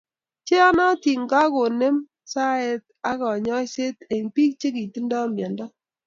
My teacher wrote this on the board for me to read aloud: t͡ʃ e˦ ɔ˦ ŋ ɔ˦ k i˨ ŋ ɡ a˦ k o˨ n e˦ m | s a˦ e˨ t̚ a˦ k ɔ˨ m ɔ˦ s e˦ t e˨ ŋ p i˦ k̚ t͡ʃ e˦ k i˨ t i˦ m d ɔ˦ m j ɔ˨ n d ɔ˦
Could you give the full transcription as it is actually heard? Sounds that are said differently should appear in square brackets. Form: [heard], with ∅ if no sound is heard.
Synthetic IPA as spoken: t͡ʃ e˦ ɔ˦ [n] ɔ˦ [t] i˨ ŋ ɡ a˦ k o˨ n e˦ m | s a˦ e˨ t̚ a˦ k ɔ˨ [ɲ] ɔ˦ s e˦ t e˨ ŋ p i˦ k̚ t͡ʃ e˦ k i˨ t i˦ [n] d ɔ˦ m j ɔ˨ n d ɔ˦